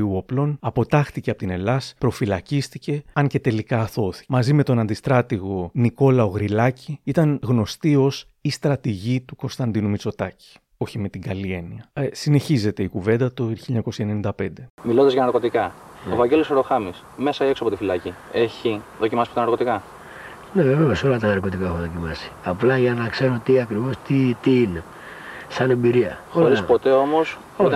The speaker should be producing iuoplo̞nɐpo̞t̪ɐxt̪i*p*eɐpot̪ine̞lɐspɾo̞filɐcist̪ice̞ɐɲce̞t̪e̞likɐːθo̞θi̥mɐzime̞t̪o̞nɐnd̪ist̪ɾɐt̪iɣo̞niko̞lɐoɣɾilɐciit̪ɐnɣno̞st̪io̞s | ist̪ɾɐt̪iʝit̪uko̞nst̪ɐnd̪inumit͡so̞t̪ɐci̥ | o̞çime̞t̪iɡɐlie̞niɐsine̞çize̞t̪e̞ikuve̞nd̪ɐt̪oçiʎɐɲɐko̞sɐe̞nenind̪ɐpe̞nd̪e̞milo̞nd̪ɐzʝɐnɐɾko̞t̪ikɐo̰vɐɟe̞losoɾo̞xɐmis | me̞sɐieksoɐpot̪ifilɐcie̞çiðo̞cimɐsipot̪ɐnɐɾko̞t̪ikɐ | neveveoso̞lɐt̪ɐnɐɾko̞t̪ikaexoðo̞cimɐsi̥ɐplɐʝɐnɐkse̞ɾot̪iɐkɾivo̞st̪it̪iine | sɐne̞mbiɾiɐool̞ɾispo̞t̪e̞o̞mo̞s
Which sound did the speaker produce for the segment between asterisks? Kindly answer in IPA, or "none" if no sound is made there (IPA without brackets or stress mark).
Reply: c